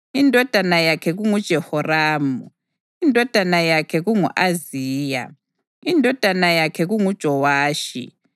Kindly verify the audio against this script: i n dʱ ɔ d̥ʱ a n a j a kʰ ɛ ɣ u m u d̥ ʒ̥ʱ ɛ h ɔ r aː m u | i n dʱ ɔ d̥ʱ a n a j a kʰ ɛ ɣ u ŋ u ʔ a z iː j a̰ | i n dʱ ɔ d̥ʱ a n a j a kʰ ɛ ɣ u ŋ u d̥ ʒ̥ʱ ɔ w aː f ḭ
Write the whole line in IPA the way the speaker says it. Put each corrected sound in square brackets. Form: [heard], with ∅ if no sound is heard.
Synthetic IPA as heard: i n dʱ ɔ d̥ʱ a n a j a kʰ ɛ ɣ u [ŋ] u d̥ ʒ̥ʱ ɛ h ɔ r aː m u | i n dʱ ɔ d̥ʱ a n a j a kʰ ɛ ɣ u ŋ u ʔ a z iː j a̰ | i n dʱ ɔ d̥ʱ a n a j a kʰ ɛ ɣ u ŋ u d̥ ʒ̥ʱ ɔ w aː [ʃ] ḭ